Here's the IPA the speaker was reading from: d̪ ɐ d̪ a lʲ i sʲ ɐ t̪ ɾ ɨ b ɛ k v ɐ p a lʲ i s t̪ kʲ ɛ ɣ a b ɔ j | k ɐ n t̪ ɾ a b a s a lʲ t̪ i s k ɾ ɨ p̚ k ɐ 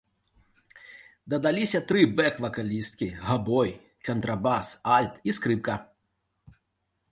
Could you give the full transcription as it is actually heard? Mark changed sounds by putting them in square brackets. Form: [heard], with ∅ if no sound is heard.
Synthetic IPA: d̪ ɐ d̪ a lʲ i sʲ ɐ t̪ ɾ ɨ b ɛ k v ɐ [k] a lʲ i s t̪ kʲ [i] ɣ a b ɔ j | k ɐ n t̪ ɾ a b a s a lʲ t̪ i s k ɾ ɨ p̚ k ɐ